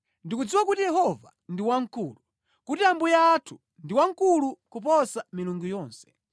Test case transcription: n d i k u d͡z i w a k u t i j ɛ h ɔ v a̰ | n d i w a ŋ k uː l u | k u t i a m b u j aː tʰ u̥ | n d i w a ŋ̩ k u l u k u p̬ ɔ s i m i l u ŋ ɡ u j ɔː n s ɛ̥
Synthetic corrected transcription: n d i k u d͡z i w a k u t i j ɛ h ɔ v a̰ | n d i w a ŋ k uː l u | k u t i a m b u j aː tʰ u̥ | n d i w a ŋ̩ k u l u k u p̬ ɔ s a m i l u ŋ ɡ u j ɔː n s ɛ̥

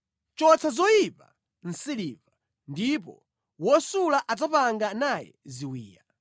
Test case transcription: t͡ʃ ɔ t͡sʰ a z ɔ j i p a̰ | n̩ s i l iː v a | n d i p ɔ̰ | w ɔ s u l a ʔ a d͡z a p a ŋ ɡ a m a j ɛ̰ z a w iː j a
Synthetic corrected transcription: t͡ʃ ɔ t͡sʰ a z ɔ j i p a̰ | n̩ s i l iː v a | n d i p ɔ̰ | w ɔ s u l a ʔ a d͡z a p a ŋ ɡ a n a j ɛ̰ z i w iː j a

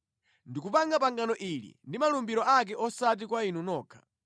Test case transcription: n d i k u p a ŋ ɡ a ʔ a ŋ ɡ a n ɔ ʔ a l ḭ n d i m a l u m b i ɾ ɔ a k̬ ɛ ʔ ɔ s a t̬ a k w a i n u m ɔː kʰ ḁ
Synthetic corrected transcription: n d i k u p a ŋ ɡ a p a ŋ ɡ a n ɔ ʔ i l ḭ n d i m a l u m b i ɾ ɔ a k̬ ɛ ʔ ɔ s a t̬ i k w a i n u n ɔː kʰ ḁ

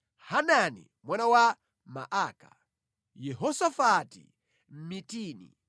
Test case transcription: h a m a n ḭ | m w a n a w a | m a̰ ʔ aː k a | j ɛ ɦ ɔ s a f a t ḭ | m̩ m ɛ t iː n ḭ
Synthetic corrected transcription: h a n a n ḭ | m w a n a w a | m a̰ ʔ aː k a | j ɛ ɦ ɔ s a f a t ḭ | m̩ m i t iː n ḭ

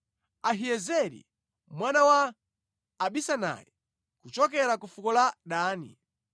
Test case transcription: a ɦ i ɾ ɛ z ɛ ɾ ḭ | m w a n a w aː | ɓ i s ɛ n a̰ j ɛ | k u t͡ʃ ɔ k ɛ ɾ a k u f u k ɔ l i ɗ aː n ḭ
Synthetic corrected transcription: a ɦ i ɛ z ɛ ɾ ḭ | m w a n a w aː | ɓ i s a n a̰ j ɛ | k u t͡ʃ ɔ k ɛ ɾ a k u f u k ɔ l a ɗ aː n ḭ

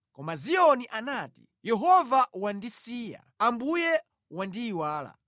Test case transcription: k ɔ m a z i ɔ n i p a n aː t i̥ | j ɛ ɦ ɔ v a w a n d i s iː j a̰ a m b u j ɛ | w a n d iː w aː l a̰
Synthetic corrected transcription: k ɔ m a z i ɔ n i ʔ a n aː t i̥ | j ɛ ɦ ɔ v a w a n d i s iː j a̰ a m b u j ɛ | w a n d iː w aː l a̰

